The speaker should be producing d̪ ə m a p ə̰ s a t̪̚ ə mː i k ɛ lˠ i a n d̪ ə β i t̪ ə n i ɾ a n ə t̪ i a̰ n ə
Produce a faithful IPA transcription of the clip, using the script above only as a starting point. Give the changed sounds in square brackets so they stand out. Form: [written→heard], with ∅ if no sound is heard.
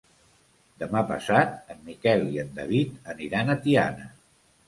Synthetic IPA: d̪ ə m a p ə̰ s a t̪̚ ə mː i k ɛ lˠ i [a→ə] n d̪ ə β i t̪ ə n i ɾ a n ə t̪ i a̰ n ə